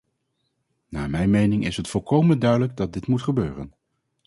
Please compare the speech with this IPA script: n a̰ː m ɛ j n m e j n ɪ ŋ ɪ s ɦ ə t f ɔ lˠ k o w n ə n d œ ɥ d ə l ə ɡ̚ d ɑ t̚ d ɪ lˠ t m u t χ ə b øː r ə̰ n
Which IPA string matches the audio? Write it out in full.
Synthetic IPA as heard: n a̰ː m ɛ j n m e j n ɪ ŋ ɪ s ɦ ə t f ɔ lˠ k o w m ə n d œ ɥ d ə l ə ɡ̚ d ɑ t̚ d ɪ t m u t χ ə b øː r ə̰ n